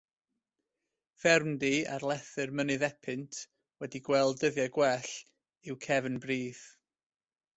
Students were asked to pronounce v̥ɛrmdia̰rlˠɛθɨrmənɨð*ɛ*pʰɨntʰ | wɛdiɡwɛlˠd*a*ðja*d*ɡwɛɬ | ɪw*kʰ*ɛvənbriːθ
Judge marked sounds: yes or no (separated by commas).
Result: yes, no, no, yes